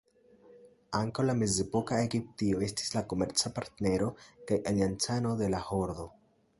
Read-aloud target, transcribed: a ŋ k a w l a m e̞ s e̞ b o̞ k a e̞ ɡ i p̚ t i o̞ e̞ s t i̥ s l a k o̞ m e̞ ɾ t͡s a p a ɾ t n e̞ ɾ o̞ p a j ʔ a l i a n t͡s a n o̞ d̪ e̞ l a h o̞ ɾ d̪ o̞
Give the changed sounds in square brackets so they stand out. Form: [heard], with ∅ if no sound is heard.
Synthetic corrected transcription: a ŋ k a w l a m e̞ [z] e̞ [p] o̞ k a e̞ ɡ i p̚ t i o̞ e̞ s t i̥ s l a k o̞ m e̞ ɾ t͡s a p a ɾ t n e̞ ɾ o̞ [k] a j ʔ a l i a n t͡s a n o̞ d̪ e̞ l a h o̞ ɾ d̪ o̞

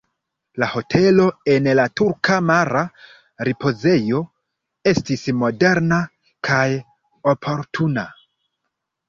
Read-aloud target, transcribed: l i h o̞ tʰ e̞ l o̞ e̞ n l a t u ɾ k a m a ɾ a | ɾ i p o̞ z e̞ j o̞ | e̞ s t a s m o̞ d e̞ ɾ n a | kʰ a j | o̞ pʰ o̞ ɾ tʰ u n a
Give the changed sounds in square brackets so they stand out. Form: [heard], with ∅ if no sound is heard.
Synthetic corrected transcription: l [a] h o̞ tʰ e̞ l o̞ e̞ n l a t u ɾ k a m a ɾ a | ɾ i p o̞ z e̞ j o̞ | e̞ s t [i] s m o̞ d e̞ ɾ n a | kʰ a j | o̞ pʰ o̞ ɾ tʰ u n a

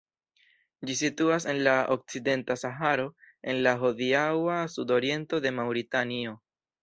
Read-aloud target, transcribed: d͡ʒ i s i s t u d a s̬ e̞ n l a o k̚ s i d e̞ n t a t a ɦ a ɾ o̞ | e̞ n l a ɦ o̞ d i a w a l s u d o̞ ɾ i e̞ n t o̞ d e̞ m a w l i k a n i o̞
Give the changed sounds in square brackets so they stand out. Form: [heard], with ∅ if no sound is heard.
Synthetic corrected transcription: d͡ʒ i s i [∅] t u [∅] a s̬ e̞ n l a o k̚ [t͡s] i d e̞ n t a [s] a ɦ a ɾ o̞ | e̞ n l a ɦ o̞ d i a w a [∅] s u d o̞ ɾ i e̞ n t o̞ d e̞ m a w [ɾ] i [t] a n i o̞

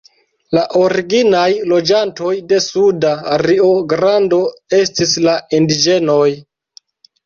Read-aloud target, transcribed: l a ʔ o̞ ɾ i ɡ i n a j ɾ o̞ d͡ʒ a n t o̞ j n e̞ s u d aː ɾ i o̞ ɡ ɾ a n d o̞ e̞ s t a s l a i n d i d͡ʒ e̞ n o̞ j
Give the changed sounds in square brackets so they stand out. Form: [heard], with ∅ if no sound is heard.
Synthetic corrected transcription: l a ʔ o̞ ɾ i ɡ i n a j [l] o̞ d͡ʒ a n t o̞ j [d] e̞ s u d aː ɾ i o̞ ɡ ɾ a n d o̞ e̞ s t [i] s l a i n d i d͡ʒ e̞ n o̞ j

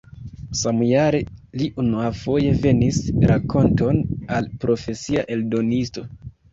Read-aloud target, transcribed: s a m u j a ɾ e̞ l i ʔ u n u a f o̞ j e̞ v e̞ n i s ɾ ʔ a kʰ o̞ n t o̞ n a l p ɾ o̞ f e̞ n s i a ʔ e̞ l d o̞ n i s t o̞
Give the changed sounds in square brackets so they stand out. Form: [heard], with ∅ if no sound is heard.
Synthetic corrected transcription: s a m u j a ɾ e̞ l i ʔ u n u a f o̞ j e̞ v e̞ n i s ɾ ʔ a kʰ o̞ n t o̞ n a l p ɾ o̞ f e̞ [∅] s i a ʔ e̞ l d o̞ n i s t o̞

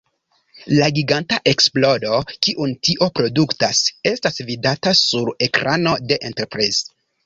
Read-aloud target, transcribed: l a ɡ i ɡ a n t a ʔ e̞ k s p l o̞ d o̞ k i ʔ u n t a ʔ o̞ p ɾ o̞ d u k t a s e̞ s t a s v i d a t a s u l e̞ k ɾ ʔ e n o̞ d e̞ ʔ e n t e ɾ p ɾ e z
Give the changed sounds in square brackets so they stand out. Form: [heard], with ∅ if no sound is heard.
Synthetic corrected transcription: l a ɡ i ɡ a n t a ʔ e̞ k s p l o̞ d o̞ k i ʔ u n t [i] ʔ o̞ p ɾ o̞ d u k t a s e̞ s t a s v i d a t a s u [ɾ] e̞ k ɾ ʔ [a] n o̞ d e̞ ʔ e n t e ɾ p ɾ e z

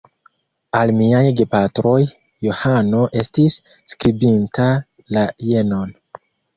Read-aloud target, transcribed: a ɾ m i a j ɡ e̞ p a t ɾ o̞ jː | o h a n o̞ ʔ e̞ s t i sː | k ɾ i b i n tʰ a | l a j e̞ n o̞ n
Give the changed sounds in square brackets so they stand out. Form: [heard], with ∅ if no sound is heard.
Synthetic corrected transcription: a [l] m i a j ɡ e̞ p a t ɾ o̞ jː | o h a n o̞ ʔ e̞ s t i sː | k ɾ i b i n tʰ a | l a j e̞ n o̞ n

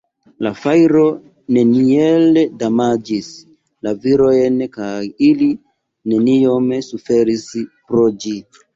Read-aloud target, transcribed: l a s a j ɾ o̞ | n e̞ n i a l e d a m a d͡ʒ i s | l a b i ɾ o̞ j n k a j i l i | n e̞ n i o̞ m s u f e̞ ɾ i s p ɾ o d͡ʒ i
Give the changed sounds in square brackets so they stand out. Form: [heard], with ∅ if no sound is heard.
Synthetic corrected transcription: l a [f] a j ɾ o̞ | n e̞ n i [e] l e d a m a d͡ʒ i s | l a [v] i ɾ o̞ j n k a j i l i | n e̞ n i o̞ m s u f e̞ ɾ i s p ɾ o d͡ʒ i

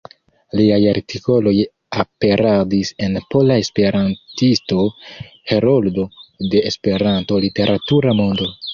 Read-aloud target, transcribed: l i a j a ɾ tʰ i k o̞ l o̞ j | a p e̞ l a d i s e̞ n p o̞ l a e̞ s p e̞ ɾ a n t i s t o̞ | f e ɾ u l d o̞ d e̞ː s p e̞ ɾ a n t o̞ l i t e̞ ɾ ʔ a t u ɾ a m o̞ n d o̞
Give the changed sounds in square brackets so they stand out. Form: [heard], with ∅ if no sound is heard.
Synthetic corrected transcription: l i a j a ɾ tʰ i k o̞ l o̞ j | a p e̞ [ɾ] a d i s e̞ n p o̞ l a e̞ s p e̞ ɾ a n t i s t o̞ | [h] e ɾ [o] l d o̞ d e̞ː s p e̞ ɾ a n t o̞ l i t e̞ ɾ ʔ a t u ɾ a m o̞ n d o̞

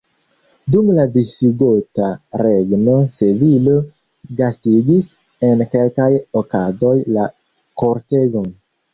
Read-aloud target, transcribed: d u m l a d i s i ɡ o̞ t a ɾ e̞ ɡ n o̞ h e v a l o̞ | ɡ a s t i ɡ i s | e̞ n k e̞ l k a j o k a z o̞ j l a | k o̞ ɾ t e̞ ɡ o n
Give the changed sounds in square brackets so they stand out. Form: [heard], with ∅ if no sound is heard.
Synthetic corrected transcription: d u m l a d i s i ɡ o̞ t a ɾ e̞ ɡ n o̞ [s] e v [i] l o̞ | ɡ a s t i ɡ i s | e̞ n k e̞ l k a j o k a z o̞ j l a | k o̞ ɾ t e̞ ɡ o n

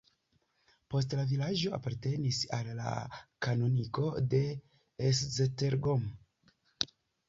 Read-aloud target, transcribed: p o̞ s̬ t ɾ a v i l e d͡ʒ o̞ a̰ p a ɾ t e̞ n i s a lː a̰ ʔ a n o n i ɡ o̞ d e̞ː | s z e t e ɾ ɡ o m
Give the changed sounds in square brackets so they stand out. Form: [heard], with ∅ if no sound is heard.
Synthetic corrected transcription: p o̞ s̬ t [l] a v i l [a] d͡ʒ o̞ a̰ p a ɾ t e̞ n i s a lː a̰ [k] a n o n i [k] o̞ d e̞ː | s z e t e ɾ ɡ o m

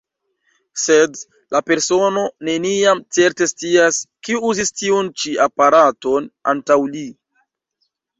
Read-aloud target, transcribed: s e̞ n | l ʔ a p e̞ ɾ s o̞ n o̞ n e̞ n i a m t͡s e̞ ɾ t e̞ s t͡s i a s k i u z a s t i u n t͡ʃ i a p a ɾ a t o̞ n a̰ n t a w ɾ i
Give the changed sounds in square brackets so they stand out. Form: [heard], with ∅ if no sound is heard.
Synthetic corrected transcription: s e̞ [d] | l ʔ a p e̞ ɾ s o̞ n o̞ n e̞ n i a m t͡s e̞ ɾ t e̞ s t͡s i a s k i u z [i] s t i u n t͡ʃ i a p a ɾ a t o̞ n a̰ n t a w [l] i

